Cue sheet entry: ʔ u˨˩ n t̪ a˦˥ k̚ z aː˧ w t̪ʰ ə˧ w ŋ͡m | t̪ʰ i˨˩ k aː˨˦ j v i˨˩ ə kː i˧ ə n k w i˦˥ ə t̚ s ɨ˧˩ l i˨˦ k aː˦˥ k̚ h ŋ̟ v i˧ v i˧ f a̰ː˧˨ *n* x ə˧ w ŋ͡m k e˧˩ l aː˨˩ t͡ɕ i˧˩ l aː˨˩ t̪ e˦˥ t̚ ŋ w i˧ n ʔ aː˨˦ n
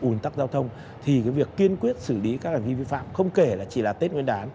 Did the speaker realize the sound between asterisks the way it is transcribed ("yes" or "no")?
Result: no